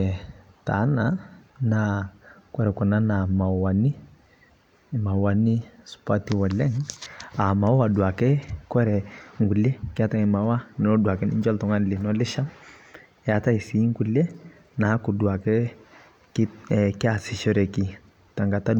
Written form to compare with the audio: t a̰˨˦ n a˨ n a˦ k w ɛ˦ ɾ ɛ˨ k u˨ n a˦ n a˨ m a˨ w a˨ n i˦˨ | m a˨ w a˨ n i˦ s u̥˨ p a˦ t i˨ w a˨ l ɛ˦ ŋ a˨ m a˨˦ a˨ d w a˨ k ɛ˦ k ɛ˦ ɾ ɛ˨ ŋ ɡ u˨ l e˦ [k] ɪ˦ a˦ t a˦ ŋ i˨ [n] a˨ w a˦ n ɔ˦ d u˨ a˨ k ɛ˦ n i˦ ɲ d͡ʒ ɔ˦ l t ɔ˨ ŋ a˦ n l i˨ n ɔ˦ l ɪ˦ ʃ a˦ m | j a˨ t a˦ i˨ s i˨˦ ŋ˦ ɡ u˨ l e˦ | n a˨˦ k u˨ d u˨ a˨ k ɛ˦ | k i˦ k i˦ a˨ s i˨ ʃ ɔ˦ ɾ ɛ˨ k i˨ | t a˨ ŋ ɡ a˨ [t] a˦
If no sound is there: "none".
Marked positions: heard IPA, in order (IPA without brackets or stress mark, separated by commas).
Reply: k, m, t